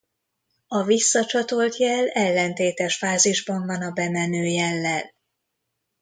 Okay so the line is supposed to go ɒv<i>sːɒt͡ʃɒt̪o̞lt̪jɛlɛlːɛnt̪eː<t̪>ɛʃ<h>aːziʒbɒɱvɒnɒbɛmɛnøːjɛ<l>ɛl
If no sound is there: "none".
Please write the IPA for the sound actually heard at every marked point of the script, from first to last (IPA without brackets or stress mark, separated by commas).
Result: i, t̪, f, lː